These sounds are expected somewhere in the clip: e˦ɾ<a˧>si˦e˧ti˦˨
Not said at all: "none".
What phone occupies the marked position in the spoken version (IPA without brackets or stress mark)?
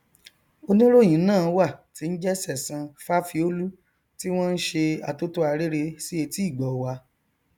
e˧